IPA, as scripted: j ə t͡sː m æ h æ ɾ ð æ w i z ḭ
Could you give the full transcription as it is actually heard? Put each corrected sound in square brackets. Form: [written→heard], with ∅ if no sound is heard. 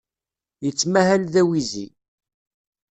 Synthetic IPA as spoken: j ə t͡sː m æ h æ [ɾ→l] ð æ w i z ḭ